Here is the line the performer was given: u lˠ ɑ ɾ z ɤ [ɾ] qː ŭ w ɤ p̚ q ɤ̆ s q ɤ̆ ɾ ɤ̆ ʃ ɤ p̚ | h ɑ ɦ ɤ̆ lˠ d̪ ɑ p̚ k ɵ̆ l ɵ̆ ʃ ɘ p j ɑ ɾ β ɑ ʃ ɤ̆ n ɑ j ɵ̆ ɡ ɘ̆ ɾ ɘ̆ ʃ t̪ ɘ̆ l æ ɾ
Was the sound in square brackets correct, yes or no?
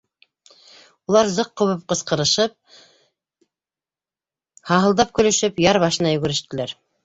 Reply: no